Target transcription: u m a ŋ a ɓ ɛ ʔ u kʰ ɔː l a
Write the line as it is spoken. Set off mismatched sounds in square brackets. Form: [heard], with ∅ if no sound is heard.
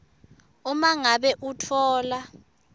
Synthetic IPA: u m a ŋ a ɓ ɛ ʔ u [tʰ] ɔː l a